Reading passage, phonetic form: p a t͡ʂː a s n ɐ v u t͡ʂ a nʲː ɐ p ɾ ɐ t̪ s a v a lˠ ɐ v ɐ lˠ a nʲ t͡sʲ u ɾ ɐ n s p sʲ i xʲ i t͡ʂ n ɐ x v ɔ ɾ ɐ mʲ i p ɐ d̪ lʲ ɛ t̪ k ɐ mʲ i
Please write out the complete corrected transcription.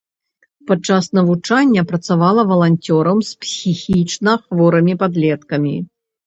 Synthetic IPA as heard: p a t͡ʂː a s n ɐ v u t͡ʂ a nʲː ɐ p ɾ ɐ t̪ s a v a lˠ ɐ v ɐ lˠ a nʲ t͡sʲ ɔ ɾ ɐ m s p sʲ i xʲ i t͡ʂ n ɐ x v ɔ ɾ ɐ mʲ i p a d̪ lʲ ɛ t̪ k ɐ mʲ i